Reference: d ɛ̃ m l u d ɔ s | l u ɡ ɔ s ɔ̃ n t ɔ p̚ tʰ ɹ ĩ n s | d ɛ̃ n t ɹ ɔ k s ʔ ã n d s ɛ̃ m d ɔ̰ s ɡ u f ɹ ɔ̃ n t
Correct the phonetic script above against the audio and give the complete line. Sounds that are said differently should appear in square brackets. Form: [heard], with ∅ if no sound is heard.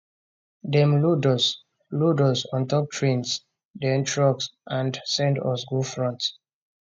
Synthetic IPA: d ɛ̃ m l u d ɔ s | l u [d] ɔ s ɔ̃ n t ɔ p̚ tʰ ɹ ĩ n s | d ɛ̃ n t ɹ ɔ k s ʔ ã n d s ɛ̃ [n] d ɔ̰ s ɡ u f ɹ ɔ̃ n t